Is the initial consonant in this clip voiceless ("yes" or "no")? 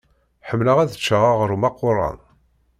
yes